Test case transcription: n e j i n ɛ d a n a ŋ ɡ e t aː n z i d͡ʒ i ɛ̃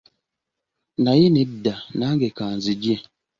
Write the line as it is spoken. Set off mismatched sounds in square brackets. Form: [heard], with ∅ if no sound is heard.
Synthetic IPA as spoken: n [a] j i n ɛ d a n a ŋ ɡ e [k] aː n z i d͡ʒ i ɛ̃